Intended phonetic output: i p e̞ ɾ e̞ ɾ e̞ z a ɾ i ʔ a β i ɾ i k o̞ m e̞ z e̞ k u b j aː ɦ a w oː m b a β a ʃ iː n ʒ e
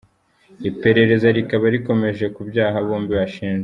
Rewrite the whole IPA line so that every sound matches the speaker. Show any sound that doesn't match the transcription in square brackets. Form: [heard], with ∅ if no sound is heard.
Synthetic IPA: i p e̞ ɾ e̞ ɾ e̞ z a ɾ i [k] a β [a] ɾ i k o̞ m e̞ [ʒ] e̞ k u b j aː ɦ a [β] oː m b [i] β a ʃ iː n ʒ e